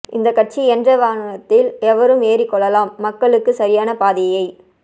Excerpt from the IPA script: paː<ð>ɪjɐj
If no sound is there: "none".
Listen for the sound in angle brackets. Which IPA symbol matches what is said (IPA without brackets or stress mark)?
ð